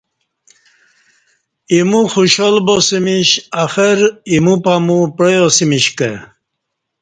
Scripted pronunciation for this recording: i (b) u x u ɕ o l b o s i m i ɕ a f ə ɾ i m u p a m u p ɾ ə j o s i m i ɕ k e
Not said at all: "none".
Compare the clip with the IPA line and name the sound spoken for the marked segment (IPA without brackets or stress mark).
m